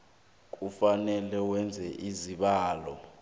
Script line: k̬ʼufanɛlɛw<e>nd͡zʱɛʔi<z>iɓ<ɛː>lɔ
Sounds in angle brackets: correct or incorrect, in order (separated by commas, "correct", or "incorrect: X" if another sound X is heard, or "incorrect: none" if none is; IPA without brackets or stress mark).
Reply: incorrect: ɛ, correct, incorrect: aː